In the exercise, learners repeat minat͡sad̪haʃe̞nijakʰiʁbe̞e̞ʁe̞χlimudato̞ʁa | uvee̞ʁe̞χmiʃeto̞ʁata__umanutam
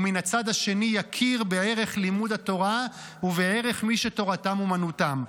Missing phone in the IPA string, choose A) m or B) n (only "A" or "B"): A